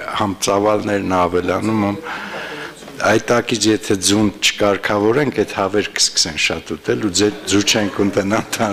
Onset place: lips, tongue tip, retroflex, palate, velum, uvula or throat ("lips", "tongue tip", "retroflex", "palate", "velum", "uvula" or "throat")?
throat